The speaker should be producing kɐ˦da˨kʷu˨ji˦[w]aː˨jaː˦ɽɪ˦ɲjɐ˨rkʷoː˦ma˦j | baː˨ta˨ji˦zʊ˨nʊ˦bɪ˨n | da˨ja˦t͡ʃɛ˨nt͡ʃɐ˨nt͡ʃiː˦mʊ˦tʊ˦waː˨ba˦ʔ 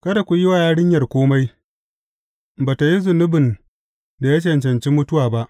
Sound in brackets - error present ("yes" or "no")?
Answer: no